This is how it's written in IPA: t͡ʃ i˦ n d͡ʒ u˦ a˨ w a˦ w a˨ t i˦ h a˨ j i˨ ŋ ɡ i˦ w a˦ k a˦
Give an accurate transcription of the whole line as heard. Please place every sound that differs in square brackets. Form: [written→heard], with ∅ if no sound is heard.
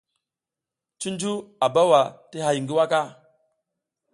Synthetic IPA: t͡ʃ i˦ n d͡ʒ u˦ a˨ [w→b] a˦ w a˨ t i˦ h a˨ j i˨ ŋ ɡ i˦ w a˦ k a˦

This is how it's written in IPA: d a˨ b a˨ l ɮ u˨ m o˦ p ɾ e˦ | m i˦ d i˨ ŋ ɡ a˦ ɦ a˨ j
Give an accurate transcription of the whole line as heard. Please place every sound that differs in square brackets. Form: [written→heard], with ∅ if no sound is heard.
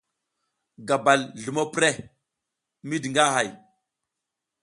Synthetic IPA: [d→ɡ] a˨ b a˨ l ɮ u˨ m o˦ p ɾ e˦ | m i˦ d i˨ ŋ ɡ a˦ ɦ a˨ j

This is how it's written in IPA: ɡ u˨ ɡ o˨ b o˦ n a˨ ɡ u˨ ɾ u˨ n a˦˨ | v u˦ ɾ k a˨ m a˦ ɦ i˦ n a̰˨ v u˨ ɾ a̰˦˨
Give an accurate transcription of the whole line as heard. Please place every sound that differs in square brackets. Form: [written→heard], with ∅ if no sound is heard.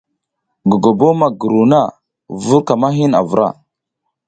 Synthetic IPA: ɡ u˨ ɡ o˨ b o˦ [n→m] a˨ ɡ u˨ ɾ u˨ n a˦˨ | v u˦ ɾ k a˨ m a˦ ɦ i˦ n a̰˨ v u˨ ɾ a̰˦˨

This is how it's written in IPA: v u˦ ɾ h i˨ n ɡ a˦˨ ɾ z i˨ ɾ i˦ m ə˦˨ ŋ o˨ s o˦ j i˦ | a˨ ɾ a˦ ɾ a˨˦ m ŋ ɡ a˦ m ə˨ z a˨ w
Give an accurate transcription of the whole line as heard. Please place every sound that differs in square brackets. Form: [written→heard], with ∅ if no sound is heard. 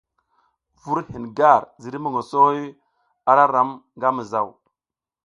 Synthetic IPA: v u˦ ɾ h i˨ n ɡ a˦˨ ɾ z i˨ ɾ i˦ m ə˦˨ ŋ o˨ s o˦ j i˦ | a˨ ɾ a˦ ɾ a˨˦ m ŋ ɡ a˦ m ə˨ z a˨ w

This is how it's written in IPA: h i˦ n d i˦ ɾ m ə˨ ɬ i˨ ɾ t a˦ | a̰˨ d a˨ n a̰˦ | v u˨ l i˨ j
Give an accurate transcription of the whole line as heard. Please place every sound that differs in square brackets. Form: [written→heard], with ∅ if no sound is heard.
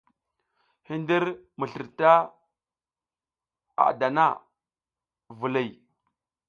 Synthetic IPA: h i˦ n d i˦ ɾ m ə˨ ɬ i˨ ɾ t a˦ | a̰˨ d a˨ n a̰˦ | v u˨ l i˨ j

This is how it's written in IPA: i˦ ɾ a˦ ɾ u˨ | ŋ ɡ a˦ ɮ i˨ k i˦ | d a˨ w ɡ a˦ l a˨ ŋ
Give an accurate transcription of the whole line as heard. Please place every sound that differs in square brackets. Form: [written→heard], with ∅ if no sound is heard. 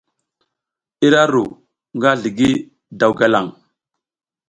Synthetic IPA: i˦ ɾ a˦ ɾ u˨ | ŋ ɡ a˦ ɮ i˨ [k→ɡ] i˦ | d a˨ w ɡ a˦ l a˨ ŋ

